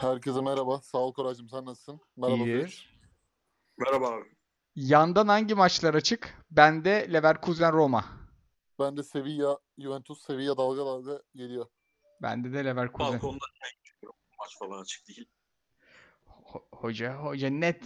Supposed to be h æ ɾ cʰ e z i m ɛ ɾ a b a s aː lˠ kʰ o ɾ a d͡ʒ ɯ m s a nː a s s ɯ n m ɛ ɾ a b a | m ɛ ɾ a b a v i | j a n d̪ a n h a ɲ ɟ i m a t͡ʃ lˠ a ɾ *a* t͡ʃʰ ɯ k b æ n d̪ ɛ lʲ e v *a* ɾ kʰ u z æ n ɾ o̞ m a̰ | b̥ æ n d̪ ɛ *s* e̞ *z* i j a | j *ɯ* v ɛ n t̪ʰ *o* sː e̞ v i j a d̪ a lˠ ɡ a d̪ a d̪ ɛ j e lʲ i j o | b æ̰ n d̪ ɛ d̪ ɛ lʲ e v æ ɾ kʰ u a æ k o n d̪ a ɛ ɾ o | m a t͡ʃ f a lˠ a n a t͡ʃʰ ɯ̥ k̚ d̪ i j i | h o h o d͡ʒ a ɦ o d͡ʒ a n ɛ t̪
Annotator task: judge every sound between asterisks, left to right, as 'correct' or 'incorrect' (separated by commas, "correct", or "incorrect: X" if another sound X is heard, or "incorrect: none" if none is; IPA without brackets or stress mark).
correct, incorrect: æ, correct, incorrect: v, incorrect: u, incorrect: u